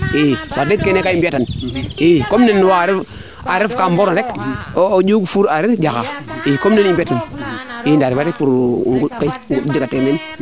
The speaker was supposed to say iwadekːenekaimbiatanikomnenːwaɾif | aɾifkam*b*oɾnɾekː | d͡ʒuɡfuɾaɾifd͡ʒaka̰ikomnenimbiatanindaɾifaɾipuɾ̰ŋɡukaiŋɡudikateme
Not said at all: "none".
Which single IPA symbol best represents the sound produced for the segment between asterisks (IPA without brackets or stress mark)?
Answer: b